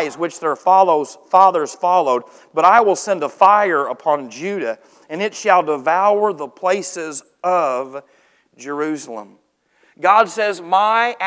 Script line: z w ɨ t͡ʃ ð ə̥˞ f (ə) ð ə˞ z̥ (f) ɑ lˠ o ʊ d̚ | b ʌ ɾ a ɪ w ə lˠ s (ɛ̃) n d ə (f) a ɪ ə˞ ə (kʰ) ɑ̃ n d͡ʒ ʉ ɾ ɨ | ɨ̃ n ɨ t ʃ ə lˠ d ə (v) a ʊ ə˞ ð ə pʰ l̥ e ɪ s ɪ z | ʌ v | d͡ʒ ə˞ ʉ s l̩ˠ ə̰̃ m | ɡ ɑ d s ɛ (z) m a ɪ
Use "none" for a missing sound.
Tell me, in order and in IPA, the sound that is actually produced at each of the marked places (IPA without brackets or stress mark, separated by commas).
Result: ɑ, f, ɛ̃, f, pʰ, v, z